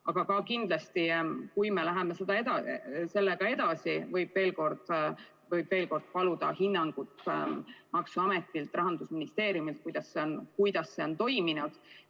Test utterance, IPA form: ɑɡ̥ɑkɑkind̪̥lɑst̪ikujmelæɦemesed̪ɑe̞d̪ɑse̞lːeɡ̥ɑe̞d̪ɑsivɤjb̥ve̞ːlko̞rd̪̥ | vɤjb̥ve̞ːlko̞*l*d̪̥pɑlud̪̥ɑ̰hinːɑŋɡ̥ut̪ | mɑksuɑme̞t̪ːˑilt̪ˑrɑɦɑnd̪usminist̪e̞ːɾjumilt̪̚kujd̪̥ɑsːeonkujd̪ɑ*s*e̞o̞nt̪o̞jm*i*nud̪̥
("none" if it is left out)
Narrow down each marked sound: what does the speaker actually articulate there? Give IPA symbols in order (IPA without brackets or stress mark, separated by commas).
r, sː, i